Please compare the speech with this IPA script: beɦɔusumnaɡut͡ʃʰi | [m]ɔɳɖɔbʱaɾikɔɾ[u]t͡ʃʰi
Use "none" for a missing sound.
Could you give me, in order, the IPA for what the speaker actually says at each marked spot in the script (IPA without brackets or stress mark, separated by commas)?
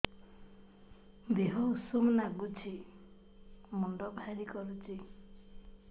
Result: m, u